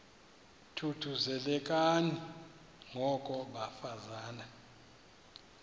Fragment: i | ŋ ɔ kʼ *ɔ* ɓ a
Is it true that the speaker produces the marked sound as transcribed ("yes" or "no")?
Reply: yes